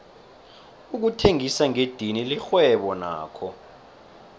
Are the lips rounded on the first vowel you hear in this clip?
yes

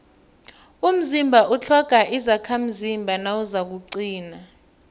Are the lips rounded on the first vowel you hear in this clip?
yes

